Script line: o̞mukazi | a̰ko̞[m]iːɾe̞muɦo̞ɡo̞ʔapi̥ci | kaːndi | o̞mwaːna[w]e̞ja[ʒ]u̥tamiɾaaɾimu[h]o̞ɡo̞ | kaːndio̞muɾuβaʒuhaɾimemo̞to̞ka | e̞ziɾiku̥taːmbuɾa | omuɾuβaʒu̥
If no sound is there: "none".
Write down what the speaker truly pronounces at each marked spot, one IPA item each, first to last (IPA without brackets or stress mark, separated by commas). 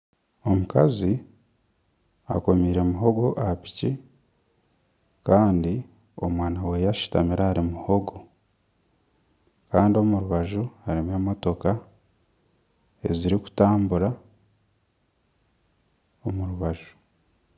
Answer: m, w, ʃ, h